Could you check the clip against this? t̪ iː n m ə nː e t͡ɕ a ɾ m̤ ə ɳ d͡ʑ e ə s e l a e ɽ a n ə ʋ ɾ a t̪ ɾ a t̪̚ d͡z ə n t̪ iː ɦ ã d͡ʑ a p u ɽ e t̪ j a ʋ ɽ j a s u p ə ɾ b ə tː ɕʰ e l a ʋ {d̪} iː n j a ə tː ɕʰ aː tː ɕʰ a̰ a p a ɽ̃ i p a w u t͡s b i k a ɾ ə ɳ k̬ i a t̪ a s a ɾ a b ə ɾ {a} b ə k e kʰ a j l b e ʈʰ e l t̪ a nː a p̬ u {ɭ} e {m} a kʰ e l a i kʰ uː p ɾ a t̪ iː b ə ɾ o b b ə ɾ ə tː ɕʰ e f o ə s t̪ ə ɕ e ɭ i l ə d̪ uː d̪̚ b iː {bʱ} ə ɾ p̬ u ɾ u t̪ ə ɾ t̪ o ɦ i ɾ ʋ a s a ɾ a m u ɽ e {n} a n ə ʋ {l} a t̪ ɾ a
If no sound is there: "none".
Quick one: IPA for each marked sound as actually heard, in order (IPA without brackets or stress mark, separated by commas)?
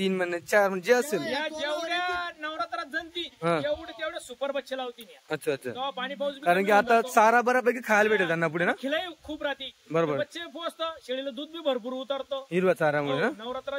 t̪, a, ɽ, n, bʱ, n, ɾ